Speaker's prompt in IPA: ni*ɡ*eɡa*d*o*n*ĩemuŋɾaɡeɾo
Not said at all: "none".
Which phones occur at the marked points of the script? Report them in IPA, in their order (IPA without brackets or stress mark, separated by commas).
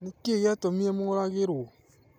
k, t, m